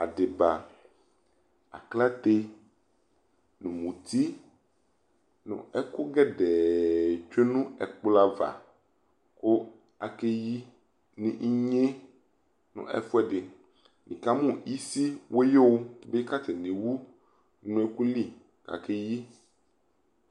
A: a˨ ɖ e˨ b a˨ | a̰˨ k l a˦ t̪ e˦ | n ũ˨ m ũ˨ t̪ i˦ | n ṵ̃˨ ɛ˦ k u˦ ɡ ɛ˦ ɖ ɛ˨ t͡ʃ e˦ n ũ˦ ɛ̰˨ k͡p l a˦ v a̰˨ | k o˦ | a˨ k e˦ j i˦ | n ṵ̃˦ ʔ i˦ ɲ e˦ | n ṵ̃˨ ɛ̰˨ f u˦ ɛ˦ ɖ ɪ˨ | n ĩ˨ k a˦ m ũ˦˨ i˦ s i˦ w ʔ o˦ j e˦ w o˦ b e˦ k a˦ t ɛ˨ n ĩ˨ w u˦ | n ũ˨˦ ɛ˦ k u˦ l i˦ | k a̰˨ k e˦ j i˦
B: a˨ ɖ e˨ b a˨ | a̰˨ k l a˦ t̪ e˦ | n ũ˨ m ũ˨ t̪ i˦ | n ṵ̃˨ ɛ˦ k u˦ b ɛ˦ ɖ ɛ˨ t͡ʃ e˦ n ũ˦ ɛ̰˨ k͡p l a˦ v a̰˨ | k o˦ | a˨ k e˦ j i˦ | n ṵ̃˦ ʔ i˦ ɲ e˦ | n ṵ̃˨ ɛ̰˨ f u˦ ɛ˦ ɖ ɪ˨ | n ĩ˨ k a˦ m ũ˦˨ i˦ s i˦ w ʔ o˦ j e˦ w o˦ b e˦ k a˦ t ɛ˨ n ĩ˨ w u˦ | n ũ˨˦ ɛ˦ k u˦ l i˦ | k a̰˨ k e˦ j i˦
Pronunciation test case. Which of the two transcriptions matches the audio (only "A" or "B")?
A